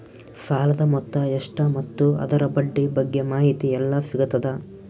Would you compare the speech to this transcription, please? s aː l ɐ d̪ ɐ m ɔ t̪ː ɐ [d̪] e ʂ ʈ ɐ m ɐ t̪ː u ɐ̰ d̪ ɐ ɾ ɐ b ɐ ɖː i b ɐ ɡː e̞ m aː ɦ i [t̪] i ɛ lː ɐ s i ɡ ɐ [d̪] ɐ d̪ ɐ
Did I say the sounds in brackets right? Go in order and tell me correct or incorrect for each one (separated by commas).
incorrect, correct, incorrect